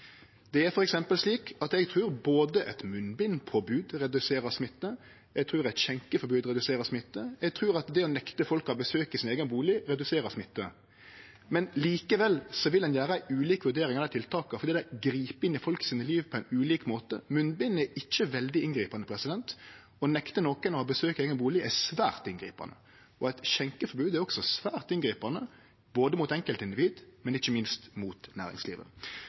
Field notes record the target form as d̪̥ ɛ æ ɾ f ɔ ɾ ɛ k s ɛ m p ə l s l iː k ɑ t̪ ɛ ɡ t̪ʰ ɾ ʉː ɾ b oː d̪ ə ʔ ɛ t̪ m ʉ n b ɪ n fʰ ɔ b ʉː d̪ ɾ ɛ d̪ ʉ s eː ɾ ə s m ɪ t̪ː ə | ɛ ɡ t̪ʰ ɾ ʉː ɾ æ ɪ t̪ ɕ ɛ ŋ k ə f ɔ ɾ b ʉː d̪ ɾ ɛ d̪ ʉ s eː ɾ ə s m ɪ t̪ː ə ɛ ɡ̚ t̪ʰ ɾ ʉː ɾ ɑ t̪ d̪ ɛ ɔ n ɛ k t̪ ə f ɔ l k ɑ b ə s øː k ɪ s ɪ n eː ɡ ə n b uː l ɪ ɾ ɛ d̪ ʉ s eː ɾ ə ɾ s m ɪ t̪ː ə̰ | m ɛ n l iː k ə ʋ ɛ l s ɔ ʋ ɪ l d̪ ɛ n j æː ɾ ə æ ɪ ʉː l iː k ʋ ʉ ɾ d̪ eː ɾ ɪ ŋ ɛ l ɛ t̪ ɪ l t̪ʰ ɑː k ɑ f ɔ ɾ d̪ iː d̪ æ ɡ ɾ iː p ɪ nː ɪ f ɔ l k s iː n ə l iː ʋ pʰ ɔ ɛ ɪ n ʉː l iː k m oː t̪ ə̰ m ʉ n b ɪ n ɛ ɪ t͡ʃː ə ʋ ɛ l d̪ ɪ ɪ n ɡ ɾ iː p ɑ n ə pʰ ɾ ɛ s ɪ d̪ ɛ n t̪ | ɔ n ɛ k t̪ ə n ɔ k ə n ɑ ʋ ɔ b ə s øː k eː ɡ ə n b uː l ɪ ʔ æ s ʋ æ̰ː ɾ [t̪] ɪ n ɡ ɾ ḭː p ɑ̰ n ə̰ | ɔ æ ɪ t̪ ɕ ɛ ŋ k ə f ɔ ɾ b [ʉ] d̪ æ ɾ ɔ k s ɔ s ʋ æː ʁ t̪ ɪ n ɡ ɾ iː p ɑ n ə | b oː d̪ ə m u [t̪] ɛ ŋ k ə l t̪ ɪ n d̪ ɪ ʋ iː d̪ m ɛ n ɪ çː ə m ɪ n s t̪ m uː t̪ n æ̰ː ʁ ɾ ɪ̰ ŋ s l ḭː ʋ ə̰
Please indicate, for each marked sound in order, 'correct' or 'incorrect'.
correct, incorrect: ʉː, correct

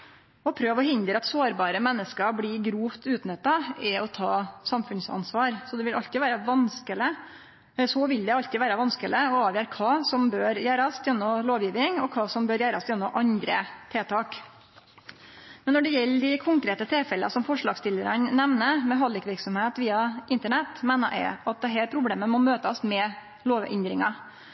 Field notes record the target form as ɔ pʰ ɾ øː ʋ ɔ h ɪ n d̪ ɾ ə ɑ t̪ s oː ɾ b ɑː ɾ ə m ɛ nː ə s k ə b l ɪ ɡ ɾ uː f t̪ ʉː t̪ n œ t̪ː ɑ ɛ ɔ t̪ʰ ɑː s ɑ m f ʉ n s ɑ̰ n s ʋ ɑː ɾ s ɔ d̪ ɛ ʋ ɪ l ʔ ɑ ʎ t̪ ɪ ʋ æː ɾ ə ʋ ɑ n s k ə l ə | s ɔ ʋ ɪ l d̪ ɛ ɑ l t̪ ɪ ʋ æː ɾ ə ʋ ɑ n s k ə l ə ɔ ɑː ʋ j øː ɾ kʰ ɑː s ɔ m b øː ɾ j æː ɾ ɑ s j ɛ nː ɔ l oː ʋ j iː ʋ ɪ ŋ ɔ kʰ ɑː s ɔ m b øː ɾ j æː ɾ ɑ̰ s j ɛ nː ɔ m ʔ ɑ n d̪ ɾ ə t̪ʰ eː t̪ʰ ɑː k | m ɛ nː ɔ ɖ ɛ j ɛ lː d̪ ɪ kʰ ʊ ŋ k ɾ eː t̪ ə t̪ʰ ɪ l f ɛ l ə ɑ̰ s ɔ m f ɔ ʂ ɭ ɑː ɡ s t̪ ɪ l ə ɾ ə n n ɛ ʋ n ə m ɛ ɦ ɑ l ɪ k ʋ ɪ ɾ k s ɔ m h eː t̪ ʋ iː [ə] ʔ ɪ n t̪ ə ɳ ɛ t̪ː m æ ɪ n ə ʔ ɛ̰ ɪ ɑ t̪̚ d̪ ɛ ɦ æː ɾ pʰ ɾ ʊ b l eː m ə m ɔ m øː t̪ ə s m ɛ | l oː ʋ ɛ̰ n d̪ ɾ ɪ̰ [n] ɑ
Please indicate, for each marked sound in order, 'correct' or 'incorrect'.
incorrect: ɑ, incorrect: ŋ

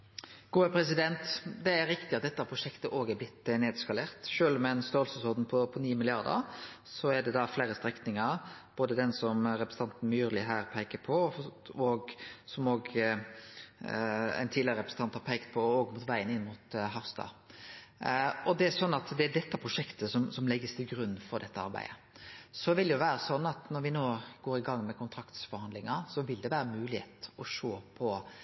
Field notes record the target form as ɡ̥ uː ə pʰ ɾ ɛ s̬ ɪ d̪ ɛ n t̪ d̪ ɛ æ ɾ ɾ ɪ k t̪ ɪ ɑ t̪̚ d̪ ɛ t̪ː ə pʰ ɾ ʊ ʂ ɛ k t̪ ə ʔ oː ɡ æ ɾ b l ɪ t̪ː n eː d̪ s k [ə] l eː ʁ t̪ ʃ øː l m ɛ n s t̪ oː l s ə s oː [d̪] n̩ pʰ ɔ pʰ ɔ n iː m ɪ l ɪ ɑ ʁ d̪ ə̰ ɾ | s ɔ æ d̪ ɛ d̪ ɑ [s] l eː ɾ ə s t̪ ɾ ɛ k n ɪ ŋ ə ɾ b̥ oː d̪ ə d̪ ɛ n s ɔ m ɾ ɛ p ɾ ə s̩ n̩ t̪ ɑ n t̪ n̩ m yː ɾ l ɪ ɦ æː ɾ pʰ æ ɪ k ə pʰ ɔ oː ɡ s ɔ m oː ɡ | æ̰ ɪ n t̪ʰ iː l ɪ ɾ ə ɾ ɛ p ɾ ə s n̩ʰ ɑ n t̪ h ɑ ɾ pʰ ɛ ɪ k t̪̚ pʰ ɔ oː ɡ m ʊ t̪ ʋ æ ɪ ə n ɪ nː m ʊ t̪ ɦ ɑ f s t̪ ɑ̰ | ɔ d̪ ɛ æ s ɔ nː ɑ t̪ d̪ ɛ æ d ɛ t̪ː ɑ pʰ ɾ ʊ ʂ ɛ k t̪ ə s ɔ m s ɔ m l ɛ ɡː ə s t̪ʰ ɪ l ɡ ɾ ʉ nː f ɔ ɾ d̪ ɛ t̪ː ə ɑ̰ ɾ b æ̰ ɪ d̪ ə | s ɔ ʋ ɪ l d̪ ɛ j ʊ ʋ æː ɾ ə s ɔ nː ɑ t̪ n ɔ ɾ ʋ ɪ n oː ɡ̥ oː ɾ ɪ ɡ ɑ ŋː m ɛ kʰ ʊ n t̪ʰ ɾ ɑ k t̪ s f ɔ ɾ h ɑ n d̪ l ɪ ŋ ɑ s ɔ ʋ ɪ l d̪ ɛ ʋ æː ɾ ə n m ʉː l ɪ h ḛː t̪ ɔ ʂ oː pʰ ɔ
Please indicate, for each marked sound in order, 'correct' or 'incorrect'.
incorrect: ɑ, correct, incorrect: f

